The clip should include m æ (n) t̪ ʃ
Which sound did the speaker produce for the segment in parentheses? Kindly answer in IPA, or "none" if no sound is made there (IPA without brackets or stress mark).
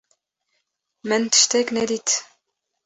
n